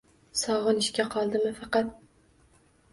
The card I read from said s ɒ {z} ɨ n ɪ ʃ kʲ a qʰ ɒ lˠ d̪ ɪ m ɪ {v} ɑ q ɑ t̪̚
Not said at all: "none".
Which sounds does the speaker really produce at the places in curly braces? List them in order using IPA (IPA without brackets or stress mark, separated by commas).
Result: ʁ, f